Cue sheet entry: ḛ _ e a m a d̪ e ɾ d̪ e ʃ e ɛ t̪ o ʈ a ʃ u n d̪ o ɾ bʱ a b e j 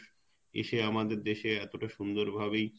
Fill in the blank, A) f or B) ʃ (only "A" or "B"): B